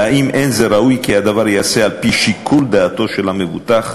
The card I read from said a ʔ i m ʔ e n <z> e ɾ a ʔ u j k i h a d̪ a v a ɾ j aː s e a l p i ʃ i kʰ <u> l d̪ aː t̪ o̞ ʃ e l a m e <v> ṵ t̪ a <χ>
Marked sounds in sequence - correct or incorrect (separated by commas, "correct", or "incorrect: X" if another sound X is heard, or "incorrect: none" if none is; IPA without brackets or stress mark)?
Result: correct, correct, correct, correct